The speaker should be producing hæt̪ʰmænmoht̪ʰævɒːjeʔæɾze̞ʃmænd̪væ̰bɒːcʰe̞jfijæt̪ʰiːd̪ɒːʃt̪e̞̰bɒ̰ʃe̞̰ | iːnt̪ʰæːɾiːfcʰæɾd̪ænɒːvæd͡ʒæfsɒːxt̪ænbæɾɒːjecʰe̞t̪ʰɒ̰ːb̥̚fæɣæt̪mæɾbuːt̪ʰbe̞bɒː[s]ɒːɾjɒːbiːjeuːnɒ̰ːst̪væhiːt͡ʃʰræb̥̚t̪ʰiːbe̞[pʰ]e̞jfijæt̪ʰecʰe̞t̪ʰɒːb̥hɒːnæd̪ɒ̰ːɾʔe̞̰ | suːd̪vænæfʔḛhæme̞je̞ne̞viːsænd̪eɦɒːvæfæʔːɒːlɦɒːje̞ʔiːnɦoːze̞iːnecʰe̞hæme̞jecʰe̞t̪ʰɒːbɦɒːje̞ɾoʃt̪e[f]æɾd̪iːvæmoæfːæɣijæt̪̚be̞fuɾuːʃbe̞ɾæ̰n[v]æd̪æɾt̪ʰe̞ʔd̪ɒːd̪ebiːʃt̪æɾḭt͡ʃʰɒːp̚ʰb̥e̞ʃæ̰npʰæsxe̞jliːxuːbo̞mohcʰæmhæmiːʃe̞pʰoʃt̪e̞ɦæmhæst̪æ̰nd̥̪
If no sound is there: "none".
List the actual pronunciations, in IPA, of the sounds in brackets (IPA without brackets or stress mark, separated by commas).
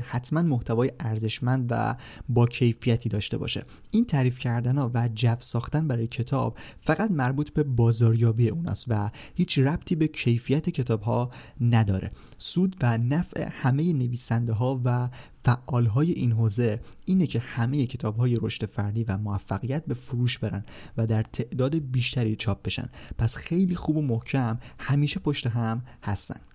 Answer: z, cʰ, f, v